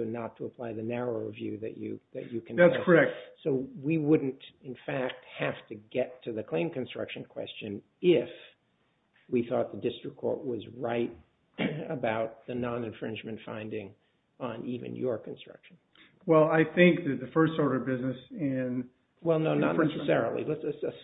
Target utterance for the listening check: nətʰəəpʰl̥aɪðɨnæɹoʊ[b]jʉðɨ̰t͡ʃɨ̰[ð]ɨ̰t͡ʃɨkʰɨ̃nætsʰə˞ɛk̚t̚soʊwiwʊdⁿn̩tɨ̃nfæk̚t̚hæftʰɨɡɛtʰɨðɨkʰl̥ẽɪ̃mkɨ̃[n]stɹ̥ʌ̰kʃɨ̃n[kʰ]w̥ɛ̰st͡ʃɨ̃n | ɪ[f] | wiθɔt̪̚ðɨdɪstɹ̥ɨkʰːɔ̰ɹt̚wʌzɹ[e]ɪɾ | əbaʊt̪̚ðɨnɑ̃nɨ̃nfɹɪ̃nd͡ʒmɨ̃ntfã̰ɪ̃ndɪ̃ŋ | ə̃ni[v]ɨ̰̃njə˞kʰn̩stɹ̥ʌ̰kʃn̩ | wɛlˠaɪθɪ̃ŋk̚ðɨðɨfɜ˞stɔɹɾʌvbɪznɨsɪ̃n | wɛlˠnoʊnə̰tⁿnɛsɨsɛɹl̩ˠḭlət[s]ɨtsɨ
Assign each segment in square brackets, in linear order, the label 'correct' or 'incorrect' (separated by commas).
incorrect, correct, correct, correct, correct, incorrect, correct, correct